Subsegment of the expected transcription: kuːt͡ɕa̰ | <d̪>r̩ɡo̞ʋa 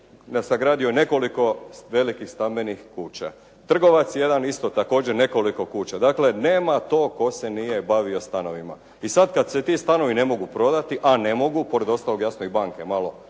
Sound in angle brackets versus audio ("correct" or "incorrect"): incorrect